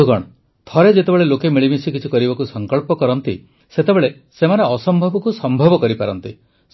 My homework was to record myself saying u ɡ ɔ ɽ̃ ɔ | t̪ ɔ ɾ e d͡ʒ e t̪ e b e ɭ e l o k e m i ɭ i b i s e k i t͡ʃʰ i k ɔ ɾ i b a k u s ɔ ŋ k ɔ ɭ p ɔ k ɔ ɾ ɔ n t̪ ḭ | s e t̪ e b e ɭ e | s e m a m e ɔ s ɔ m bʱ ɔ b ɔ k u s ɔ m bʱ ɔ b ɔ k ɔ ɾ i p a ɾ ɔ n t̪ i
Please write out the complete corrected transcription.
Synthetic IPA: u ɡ ɔ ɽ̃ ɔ | t̪ʰ ɔ ɾ e d͡ʒ e t̪ e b e ɭ e l o k e m i ɭ i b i s i k i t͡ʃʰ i k ɔ ɾ i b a k u s ɔ ŋ k ɔ ɭ p ɔ k ɔ ɾ ɔ n t̪ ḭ | s e t̪ e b e ɭ e | s e m a n e ɔ s ɔ m bʱ ɔ b ɔ k u s ɔ m bʱ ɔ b ɔ k ɔ ɾ i p a ɾ ɔ n t̪ i